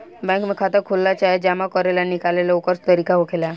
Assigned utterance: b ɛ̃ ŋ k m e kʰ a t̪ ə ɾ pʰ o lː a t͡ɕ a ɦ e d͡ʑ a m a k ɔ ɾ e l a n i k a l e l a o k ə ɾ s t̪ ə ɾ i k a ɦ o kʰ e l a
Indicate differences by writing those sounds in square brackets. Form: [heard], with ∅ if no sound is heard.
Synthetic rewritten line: b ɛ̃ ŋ k m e kʰ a t̪ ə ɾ [kʰ] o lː a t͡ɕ a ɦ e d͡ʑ a m a k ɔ ɾ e l a n i k a l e l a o k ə ɾ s t̪ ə ɾ i k a ɦ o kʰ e l a